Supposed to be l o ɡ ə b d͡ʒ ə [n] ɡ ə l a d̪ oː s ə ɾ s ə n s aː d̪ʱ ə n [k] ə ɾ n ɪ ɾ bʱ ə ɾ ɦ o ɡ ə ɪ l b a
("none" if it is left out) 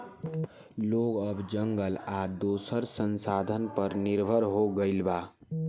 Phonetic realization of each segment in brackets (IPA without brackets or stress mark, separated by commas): ŋ, p